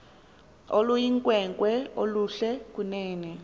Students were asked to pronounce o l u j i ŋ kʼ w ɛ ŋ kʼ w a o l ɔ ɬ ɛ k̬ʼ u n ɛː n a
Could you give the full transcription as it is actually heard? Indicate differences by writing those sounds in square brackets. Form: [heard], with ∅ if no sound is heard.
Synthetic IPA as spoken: o l u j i ŋ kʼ w ɛ ŋ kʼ w [ɛ] o l [u] ɬ ɛ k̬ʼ u n ɛː n [ɛ]